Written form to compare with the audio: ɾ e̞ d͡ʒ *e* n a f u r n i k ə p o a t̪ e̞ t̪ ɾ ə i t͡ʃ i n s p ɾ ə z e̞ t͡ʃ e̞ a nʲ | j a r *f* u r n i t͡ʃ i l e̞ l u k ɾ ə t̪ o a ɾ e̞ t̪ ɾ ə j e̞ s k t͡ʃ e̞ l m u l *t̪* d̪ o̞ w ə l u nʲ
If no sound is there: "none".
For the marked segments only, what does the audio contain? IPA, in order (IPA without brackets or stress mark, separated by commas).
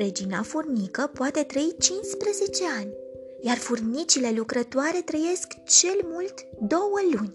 i, f, t̪